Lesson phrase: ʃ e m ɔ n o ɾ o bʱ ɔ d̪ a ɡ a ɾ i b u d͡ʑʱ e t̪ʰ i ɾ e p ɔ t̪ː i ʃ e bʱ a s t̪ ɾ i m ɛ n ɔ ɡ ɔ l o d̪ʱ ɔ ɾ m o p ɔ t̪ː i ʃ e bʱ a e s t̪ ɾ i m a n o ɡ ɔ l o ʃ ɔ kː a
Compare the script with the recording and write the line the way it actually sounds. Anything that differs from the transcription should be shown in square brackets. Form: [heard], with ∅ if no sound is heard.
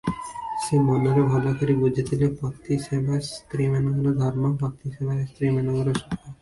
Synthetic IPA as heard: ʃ e m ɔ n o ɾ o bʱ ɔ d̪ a [k] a ɾ i b u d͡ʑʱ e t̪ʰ i [l] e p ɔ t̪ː i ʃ e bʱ a s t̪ ɾ i m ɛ n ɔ ɡ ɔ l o d̪ʱ ɔ ɾ m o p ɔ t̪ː i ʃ e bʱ a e s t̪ ɾ i m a n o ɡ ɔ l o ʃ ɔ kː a